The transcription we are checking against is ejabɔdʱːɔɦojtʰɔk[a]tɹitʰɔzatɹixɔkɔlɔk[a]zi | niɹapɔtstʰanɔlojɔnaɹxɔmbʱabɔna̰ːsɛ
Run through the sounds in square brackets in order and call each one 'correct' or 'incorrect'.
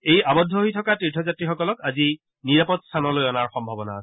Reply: correct, correct

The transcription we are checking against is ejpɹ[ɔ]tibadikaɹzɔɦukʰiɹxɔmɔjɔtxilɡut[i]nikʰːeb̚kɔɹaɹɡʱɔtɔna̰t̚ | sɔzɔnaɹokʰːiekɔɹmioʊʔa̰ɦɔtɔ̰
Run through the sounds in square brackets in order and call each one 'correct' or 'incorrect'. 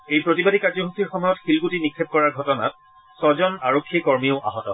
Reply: incorrect: o, correct

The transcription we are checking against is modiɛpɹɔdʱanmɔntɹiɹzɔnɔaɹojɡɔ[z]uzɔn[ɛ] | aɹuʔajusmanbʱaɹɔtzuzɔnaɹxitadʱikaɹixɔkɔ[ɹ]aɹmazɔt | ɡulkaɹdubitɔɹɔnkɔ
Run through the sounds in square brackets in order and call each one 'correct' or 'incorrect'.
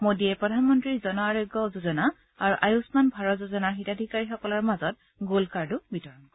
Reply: correct, incorrect: a, incorrect: l

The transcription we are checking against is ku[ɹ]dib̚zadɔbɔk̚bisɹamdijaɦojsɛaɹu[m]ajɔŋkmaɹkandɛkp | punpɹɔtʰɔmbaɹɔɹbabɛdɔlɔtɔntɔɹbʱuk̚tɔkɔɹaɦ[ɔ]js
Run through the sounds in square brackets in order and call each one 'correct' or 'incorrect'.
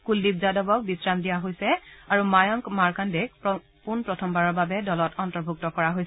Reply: incorrect: l, correct, incorrect: o

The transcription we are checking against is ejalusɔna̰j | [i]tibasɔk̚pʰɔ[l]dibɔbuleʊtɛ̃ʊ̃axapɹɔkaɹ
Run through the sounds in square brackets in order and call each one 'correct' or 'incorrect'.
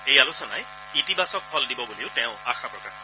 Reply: correct, correct

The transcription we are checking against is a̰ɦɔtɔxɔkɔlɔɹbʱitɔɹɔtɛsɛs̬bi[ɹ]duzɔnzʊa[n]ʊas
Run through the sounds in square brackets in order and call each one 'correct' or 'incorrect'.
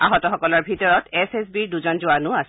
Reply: correct, correct

